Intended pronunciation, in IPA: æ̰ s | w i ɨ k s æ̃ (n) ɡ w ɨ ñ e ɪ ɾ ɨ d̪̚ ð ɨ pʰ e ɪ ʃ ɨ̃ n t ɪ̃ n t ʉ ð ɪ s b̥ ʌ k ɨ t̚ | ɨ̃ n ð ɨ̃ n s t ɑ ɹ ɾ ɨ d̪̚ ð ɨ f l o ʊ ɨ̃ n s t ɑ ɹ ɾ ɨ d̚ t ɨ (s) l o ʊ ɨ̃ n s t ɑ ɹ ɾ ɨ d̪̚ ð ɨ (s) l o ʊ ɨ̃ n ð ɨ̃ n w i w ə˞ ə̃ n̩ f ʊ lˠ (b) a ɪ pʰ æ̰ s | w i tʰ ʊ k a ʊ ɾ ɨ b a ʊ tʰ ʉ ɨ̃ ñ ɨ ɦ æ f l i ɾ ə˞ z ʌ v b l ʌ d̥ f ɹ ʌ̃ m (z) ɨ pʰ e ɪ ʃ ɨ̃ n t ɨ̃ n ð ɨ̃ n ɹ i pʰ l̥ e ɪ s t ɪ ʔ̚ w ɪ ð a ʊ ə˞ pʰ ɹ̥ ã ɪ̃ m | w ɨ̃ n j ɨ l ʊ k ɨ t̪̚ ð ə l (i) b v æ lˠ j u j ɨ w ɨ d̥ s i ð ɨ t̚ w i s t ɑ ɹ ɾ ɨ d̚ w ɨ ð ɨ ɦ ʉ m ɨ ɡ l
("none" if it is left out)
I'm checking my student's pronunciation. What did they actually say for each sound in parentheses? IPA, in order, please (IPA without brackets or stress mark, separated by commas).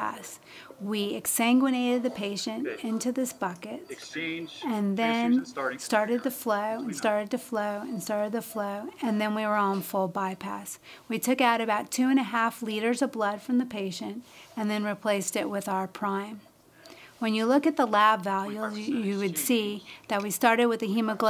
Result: ŋ, f, f, b, ð, æ